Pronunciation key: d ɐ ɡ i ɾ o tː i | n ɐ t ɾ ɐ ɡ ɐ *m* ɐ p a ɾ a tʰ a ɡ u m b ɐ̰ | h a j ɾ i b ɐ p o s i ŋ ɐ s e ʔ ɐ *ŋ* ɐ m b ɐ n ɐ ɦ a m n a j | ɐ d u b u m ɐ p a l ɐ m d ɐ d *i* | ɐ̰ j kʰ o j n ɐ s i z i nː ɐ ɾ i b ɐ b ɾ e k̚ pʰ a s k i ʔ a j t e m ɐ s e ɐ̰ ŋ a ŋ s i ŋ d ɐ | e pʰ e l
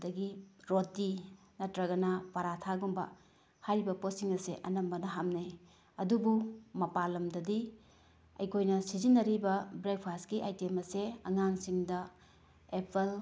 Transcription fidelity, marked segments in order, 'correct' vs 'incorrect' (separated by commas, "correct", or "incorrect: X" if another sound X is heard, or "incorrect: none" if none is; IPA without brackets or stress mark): incorrect: n, incorrect: n, correct